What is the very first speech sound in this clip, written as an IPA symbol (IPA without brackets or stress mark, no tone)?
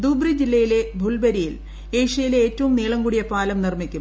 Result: d̪